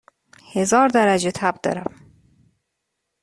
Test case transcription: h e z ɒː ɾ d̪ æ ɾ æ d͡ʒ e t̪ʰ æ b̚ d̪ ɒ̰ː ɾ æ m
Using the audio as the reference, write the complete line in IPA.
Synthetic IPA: h e z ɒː ɾ d̪ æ ɾ æ d͡ʒ e t̪ʰ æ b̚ d̪ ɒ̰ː ɾ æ m